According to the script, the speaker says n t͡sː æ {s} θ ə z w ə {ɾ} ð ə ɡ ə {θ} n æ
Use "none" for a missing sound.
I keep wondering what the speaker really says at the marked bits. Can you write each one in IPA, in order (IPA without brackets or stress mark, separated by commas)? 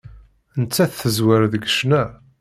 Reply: θ, ɾ, ʃ